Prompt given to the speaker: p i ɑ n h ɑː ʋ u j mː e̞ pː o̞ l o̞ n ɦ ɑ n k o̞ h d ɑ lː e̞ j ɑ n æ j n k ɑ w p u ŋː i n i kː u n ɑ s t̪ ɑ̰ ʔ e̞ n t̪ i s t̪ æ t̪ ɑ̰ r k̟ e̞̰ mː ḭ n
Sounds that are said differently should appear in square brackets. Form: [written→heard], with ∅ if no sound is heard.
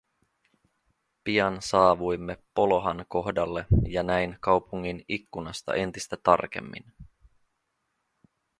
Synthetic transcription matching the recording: p i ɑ n [h→s] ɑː ʋ u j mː e̞ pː o̞ l o̞ [n→∅] ɦ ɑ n k o̞ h d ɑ lː e̞ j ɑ n æ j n k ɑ w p u ŋː i n i kː u n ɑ s t̪ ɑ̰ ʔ e̞ n t̪ i s t̪ æ t̪ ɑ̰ r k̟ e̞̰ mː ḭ n